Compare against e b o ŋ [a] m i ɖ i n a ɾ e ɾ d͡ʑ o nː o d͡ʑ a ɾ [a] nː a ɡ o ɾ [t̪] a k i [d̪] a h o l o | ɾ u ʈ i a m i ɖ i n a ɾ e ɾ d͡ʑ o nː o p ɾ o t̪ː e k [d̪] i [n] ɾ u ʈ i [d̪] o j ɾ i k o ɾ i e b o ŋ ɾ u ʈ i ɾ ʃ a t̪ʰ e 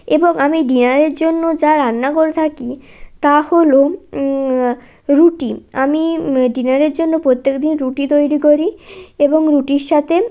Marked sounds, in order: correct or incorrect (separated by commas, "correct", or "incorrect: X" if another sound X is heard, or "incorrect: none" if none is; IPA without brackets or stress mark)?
correct, correct, incorrect: t̪ʰ, incorrect: t̪, correct, correct, incorrect: t̪